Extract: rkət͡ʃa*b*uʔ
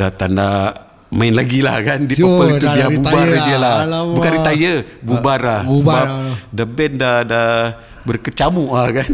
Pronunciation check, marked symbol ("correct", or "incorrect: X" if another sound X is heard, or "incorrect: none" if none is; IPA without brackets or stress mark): incorrect: m